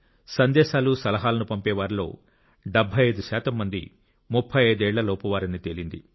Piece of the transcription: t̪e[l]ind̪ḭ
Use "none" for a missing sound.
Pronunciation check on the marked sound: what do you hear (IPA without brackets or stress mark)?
l